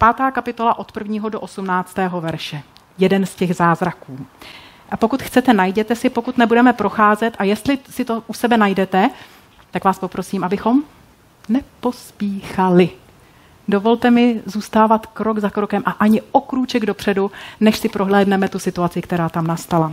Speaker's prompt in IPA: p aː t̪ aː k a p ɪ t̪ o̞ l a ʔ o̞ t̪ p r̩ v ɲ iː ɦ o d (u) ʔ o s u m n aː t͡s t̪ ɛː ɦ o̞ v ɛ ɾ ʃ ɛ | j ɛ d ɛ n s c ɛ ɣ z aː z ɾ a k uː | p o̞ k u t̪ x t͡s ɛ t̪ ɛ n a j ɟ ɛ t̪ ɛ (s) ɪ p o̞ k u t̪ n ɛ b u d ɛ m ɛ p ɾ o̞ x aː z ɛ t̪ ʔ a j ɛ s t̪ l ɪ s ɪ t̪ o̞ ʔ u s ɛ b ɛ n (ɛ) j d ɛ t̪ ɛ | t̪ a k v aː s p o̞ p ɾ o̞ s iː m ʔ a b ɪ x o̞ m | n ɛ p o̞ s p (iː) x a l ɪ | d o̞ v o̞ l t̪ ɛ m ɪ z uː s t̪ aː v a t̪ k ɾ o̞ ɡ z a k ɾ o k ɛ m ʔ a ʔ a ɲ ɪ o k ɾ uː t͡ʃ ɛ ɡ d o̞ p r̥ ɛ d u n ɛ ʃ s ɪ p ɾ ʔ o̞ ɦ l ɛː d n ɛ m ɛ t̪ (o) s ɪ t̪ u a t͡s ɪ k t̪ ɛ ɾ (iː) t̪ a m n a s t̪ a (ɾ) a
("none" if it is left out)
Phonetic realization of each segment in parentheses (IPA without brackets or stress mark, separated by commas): o, s, a, iː, u, aː, l